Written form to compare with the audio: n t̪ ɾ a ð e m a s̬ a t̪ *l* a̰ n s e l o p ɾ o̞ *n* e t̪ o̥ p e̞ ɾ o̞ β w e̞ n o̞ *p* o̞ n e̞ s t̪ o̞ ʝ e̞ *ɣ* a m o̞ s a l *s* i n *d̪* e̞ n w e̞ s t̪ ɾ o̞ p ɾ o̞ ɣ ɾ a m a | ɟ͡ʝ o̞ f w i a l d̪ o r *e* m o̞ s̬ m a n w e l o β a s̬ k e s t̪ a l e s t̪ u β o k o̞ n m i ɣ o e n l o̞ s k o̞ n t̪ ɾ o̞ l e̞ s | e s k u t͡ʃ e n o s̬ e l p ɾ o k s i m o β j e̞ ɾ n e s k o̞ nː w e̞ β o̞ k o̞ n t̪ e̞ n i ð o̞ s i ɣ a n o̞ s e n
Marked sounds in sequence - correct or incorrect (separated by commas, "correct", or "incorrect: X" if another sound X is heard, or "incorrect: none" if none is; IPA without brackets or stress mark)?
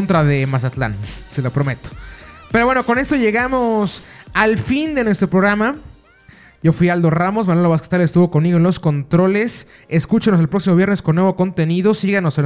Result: correct, incorrect: m, incorrect: k, correct, incorrect: f, correct, incorrect: a